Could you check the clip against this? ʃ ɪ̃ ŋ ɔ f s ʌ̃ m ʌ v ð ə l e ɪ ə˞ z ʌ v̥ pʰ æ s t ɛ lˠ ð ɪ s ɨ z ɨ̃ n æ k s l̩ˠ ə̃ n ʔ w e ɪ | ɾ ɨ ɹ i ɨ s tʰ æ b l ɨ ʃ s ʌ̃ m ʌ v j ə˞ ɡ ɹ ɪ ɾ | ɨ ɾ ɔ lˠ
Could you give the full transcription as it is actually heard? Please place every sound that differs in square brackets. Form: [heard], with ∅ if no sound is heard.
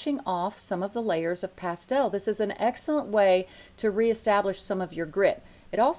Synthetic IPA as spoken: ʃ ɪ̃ ŋ ɔ f s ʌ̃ m ʌ v ð ə l e ɪ ə˞ z ʌ v̥ pʰ æ s t ɛ lˠ ð ɪ s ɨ z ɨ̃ n [ɛ] k s l̩ˠ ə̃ n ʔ w e ɪ | ɾ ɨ ɹ i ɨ s [t] æ b l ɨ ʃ s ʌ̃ m ʌ v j ə˞ ɡ ɹ ɪ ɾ | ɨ ɾ ɔ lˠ